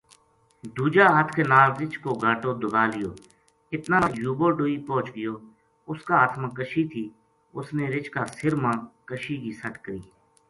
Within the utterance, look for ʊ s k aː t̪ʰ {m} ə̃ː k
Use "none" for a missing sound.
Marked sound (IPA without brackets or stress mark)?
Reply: m